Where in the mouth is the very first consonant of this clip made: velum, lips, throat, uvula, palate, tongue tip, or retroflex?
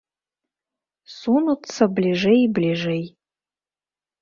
tongue tip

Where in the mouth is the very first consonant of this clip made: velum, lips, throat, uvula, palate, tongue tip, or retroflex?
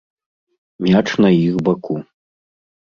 lips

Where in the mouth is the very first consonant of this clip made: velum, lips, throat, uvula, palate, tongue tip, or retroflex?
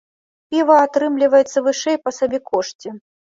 lips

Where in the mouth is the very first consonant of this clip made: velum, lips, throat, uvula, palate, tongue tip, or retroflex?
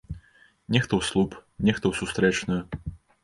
tongue tip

